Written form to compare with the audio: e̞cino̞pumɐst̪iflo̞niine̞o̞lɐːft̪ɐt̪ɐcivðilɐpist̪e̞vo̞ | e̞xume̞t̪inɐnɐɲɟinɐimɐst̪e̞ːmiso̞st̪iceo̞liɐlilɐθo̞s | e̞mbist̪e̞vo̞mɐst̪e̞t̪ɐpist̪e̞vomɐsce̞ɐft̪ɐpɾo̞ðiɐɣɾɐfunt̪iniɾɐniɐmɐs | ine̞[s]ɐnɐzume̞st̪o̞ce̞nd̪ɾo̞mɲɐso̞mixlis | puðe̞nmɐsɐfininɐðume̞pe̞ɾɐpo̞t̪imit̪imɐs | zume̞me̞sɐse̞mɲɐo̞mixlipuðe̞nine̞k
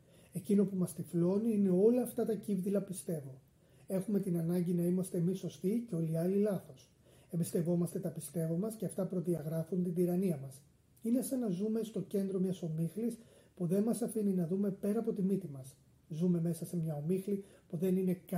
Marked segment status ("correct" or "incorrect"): correct